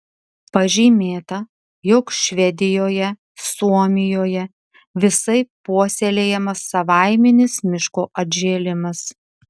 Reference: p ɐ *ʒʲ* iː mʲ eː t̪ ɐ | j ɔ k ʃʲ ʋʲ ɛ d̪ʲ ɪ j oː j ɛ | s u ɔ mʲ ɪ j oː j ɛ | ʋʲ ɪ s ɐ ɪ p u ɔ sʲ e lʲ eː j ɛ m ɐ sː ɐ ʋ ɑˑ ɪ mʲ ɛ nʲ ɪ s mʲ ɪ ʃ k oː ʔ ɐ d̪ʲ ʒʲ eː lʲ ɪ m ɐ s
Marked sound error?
no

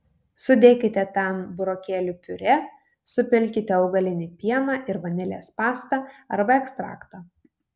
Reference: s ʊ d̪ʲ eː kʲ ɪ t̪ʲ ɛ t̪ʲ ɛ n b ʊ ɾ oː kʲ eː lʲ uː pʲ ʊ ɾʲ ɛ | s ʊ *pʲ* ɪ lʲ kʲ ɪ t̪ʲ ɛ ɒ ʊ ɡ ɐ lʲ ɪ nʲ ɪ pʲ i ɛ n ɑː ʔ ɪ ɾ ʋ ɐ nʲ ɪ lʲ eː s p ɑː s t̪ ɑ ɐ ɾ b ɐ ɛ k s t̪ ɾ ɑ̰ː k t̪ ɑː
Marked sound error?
no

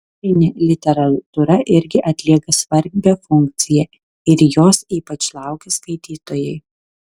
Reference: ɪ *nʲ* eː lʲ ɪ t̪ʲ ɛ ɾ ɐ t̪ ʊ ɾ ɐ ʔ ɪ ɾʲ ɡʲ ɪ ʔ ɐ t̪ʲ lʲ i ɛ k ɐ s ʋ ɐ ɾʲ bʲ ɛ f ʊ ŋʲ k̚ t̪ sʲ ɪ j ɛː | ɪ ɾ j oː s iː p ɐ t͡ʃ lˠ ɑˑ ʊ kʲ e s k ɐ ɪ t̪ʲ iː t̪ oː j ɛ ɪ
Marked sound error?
no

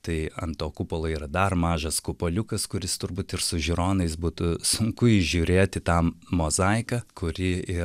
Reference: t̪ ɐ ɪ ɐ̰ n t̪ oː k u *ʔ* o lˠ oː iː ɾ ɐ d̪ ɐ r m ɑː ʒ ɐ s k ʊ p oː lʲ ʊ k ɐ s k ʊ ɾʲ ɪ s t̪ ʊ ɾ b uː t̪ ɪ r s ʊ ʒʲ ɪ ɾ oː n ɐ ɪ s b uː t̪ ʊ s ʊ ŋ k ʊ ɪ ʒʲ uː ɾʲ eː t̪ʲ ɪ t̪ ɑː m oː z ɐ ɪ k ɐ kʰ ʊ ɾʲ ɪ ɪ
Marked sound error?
yes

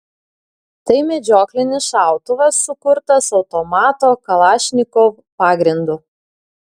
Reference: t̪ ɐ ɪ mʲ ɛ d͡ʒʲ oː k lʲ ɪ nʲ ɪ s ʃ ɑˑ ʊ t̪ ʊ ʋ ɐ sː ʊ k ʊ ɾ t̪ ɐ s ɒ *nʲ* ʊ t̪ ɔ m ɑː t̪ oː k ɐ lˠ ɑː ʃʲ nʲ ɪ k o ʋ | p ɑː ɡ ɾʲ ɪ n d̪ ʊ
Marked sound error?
yes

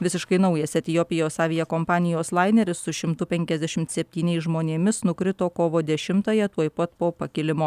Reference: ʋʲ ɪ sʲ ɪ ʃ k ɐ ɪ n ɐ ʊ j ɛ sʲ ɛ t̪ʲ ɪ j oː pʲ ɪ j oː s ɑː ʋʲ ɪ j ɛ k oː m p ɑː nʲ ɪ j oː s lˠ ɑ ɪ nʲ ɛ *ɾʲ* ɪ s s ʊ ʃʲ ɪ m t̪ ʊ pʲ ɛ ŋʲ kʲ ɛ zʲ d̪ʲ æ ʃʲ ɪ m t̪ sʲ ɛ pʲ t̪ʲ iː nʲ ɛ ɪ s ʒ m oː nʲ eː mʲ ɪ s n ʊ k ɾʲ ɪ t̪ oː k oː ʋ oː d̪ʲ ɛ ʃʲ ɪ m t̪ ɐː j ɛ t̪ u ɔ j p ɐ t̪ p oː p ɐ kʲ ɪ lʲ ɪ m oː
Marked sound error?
no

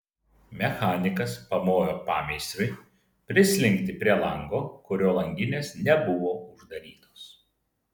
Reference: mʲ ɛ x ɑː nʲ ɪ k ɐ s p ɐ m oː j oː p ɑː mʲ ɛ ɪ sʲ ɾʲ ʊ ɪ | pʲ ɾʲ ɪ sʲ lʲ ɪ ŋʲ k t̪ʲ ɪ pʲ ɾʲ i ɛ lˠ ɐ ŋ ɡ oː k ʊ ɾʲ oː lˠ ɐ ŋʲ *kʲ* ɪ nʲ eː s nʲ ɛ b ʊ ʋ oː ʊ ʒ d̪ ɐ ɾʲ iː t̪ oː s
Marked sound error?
yes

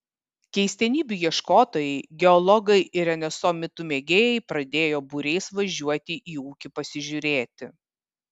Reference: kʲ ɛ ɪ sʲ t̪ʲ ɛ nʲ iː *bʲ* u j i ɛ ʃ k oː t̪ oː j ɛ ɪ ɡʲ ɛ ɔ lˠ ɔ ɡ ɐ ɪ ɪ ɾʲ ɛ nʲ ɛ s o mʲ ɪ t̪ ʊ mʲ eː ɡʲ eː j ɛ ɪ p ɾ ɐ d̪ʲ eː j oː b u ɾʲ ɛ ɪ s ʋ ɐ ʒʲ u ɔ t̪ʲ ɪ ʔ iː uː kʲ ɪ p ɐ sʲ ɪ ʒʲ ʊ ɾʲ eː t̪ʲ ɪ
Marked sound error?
no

